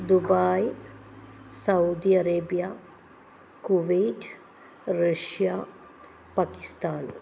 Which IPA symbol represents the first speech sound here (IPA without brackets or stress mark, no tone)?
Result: d̪